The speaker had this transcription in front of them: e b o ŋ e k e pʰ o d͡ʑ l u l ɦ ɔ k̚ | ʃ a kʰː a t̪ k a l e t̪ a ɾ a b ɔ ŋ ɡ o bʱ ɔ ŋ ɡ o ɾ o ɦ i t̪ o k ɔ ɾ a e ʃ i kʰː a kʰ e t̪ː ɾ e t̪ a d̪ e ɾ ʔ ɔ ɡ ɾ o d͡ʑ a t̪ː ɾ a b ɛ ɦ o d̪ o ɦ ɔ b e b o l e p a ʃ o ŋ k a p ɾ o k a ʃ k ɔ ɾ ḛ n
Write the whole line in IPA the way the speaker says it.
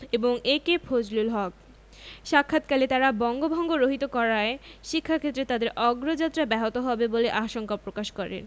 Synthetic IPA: e b o ŋ e k e pʰ o d͡ʑ l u l ɦ ɔ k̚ | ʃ a kʰː a t̪ k a l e t̪ a ɾ a b ɔ ŋ ɡ o bʱ ɔ ŋ ɡ o ɾ o ɦ i t̪ o k ɔ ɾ a e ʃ i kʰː a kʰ e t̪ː ɾ e t̪ a d̪ e ɾ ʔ ɔ ɡ ɾ o d͡ʑ a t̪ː ɾ a b ɛ ɦ o t̪ o ɦ ɔ b e b o l e ʔ a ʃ o ŋ k a p ɾ o k a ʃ k ɔ ɾ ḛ n